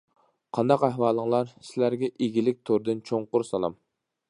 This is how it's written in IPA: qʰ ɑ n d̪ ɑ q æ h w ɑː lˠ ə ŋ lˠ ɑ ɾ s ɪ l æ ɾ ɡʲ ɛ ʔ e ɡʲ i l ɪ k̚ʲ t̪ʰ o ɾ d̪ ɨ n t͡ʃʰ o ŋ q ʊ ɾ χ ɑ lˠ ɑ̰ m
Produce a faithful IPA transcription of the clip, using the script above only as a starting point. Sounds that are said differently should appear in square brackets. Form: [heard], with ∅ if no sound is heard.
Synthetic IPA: qʰ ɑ n d̪ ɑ q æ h w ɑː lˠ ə ŋ lˠ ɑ ɾ s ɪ l æ ɾ ɡʲ ɛ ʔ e ɡʲ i l ɪ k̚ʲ t̪ʰ o ɾ d̪ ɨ n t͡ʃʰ o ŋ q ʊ ɾ [s] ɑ lˠ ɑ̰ m